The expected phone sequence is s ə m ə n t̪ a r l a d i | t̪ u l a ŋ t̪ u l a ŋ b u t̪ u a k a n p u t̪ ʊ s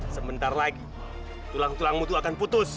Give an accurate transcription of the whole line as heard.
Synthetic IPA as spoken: s ə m ə n t̪ a r l a ɡ i | t̪ u l a ŋ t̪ u l a ŋ m u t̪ u a k a n p u t̪ ʊ s